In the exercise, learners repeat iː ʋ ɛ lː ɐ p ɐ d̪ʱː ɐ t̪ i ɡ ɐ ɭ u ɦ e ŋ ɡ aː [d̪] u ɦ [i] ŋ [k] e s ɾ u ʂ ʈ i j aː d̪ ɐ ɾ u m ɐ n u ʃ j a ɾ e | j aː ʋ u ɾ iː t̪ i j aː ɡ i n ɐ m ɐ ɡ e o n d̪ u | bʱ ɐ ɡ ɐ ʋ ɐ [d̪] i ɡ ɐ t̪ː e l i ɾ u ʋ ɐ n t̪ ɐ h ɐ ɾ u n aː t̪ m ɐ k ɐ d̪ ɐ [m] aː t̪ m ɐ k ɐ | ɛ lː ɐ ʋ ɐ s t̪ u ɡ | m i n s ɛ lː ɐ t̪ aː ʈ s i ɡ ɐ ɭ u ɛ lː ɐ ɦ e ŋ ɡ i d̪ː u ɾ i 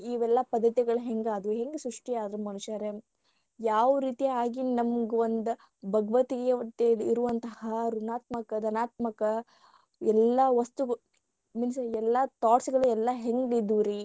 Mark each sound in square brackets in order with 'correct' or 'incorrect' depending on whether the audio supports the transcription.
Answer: correct, incorrect: e, incorrect: ɡ, incorrect: t̪, incorrect: n

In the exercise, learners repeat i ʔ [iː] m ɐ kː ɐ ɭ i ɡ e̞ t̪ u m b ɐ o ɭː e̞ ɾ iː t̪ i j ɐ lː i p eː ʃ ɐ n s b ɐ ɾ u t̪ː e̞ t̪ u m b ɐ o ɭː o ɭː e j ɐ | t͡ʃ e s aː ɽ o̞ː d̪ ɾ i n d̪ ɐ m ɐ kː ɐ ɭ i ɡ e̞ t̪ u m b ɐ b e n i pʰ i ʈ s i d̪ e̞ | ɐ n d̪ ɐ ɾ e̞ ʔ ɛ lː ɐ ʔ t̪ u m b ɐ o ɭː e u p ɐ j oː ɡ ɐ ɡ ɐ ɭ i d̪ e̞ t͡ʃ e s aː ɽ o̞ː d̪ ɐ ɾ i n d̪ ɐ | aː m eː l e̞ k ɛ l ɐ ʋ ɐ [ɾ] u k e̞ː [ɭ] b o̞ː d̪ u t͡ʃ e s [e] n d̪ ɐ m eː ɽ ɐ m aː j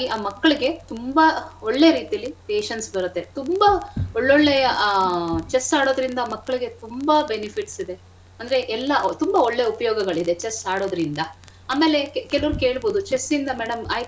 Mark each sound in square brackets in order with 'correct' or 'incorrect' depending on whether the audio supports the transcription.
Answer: incorrect: aː, correct, correct, incorrect: i

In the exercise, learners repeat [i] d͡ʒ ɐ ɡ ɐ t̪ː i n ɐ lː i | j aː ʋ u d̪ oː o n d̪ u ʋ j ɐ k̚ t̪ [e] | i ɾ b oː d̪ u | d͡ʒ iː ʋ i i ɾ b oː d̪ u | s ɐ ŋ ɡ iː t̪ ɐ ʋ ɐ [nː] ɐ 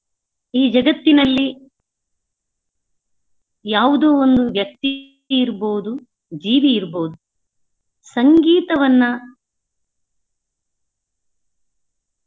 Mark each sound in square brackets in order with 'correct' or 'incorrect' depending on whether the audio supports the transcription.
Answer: incorrect: iː, incorrect: i, correct

